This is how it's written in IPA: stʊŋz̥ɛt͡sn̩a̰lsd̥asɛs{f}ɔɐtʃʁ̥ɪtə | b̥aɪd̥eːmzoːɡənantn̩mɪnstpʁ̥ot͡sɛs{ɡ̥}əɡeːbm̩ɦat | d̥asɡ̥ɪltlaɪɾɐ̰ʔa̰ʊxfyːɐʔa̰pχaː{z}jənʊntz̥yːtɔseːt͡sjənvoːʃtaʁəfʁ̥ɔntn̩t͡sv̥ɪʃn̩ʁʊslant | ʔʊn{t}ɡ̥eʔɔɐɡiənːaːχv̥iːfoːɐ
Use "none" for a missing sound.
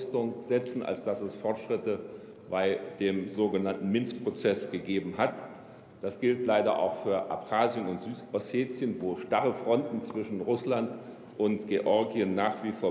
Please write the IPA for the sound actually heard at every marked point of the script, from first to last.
f, ɡ̥, z, t

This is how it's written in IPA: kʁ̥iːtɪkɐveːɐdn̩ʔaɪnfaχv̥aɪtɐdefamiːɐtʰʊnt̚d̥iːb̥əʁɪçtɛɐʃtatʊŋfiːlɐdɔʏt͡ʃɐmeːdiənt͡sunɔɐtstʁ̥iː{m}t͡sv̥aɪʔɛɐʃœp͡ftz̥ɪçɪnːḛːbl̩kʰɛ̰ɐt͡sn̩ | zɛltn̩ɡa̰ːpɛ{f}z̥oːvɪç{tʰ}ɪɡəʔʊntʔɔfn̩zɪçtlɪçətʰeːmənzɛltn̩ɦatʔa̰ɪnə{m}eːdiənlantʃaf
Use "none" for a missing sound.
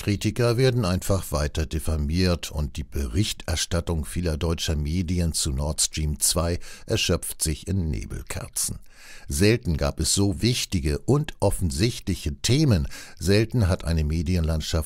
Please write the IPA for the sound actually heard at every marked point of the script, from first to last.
m, s, t, m

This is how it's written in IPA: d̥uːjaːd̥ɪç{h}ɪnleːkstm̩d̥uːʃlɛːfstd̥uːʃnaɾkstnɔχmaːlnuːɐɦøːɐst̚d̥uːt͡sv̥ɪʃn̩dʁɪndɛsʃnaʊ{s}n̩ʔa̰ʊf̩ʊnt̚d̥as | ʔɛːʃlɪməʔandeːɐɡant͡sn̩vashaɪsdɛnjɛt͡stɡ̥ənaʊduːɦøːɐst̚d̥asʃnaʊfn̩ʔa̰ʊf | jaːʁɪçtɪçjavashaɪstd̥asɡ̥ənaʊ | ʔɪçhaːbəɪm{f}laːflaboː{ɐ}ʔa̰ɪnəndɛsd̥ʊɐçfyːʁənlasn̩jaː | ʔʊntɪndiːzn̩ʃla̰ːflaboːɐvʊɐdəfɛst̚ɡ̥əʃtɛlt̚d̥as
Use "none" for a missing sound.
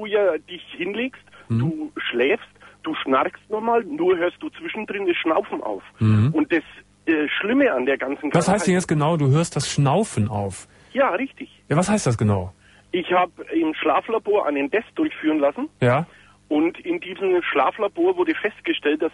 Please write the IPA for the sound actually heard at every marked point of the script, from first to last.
h, f, ʃ, ɐ

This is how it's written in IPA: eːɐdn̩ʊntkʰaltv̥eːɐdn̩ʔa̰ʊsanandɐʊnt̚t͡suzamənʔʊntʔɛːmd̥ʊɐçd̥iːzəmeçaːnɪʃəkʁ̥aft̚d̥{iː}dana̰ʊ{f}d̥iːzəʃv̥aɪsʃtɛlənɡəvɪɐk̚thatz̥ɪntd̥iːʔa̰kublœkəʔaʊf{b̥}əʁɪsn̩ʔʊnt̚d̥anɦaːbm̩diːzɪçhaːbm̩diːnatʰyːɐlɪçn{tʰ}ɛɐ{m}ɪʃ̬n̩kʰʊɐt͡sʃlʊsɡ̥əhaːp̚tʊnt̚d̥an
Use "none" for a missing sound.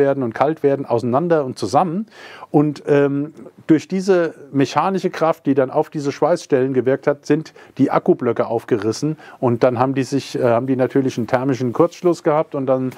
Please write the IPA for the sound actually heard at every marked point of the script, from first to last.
iː, f, ɡ̥, tʰ, m

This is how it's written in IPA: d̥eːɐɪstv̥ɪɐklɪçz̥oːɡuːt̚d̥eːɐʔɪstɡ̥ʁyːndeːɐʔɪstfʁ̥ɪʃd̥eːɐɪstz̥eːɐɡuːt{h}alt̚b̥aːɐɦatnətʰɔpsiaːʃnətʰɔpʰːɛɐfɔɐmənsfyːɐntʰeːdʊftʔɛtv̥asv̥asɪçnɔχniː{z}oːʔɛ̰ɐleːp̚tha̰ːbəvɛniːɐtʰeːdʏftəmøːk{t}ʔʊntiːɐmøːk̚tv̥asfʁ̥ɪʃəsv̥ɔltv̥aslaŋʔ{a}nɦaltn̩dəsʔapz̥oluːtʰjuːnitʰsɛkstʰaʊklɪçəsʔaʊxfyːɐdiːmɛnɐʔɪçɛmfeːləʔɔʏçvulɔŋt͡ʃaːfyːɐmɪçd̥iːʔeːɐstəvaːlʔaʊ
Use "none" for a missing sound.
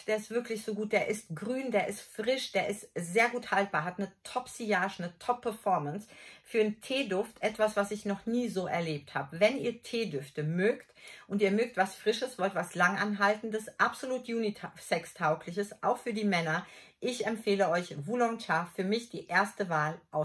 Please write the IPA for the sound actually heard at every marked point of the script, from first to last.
h, z, t, a

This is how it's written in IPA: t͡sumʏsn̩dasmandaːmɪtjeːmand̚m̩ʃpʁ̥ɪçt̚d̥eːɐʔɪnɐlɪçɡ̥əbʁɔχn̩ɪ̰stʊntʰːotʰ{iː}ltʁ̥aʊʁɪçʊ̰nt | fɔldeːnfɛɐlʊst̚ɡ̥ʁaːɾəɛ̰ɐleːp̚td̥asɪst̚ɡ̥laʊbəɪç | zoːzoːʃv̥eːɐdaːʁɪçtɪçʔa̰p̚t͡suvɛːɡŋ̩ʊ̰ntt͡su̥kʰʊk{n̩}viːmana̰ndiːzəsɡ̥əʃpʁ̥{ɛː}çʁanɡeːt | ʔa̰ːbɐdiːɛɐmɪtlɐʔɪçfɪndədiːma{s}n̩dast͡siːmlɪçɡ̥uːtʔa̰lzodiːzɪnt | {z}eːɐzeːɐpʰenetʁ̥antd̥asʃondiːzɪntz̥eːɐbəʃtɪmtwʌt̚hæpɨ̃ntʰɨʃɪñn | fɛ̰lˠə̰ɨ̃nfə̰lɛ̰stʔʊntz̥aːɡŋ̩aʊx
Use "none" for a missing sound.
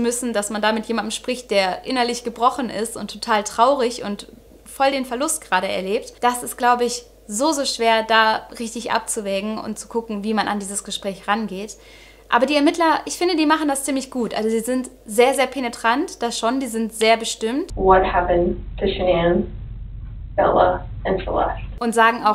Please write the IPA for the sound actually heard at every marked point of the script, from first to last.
aː, ŋ̩, ɛː, χ, z

